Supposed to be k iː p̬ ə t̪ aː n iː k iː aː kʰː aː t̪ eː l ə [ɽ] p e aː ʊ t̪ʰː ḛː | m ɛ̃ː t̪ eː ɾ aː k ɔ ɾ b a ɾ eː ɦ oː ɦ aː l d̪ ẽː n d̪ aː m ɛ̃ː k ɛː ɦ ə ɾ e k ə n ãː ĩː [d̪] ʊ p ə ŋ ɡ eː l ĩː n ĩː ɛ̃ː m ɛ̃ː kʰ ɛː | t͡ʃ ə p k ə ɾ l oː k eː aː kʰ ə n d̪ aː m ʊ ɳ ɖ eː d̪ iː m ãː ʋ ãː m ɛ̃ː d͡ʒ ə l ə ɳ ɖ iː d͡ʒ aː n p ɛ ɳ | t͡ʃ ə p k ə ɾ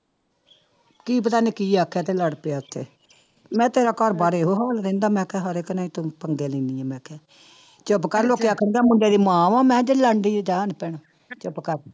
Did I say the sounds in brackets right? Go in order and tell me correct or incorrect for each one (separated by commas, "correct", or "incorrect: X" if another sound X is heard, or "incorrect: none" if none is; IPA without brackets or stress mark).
correct, incorrect: t̪